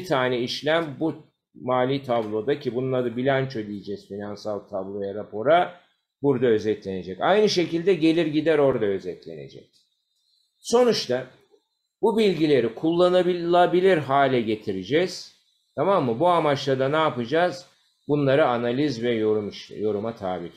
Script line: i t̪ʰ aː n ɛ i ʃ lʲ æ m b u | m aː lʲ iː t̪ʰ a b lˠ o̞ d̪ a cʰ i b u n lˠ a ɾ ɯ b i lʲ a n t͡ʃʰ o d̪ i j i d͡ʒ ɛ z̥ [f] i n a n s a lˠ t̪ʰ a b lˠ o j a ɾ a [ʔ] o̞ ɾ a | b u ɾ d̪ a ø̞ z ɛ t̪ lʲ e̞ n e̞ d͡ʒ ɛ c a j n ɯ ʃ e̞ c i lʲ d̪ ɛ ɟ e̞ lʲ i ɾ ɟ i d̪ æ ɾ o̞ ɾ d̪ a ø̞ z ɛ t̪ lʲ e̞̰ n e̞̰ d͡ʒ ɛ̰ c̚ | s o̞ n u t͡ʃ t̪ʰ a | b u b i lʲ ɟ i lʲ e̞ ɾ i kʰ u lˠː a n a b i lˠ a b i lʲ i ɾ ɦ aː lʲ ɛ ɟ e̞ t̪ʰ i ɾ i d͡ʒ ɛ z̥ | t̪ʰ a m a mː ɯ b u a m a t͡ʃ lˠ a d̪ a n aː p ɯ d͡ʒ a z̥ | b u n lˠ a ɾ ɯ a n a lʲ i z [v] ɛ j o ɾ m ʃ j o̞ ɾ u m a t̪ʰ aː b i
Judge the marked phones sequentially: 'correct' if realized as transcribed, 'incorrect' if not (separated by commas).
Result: correct, incorrect, correct